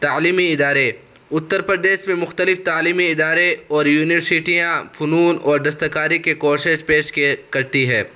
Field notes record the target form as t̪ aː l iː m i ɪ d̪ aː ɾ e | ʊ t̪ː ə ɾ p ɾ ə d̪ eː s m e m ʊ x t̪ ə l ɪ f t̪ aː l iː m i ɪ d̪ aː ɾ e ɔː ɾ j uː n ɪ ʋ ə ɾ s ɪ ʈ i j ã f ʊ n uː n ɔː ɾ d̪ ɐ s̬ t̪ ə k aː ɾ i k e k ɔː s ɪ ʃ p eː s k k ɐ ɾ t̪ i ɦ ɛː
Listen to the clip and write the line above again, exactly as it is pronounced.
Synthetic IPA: t̪ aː l iː m i ɪ d̪ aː ɾ e | ʊ t̪ː ə ɾ p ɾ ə d̪ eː ʃ m ẽ m ʊ x t̪ ə l ɪ f t̪ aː l iː m i ɪ d̪ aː ɾ e ɔː ɾ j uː n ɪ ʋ ə ɾ s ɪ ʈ i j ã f ʊ n uː n ɔː ɾ d̪ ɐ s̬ t̪ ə k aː ɾ i k e k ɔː ʃ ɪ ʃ p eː ʃ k k ɐ ɾ t̪ i ɦ ɛː